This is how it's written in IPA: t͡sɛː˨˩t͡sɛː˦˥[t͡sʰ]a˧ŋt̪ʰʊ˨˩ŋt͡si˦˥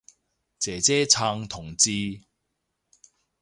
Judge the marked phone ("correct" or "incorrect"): correct